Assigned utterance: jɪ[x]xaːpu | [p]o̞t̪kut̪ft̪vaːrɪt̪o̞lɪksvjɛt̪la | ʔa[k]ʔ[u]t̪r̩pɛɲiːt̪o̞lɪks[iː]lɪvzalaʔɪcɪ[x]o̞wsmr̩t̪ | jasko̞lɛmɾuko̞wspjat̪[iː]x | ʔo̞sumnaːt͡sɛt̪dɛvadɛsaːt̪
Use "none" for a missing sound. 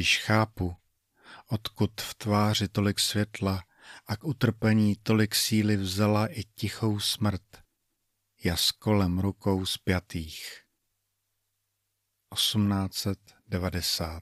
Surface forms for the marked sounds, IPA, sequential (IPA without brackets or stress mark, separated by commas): ʃ, ʔ, k, u, iː, x, iː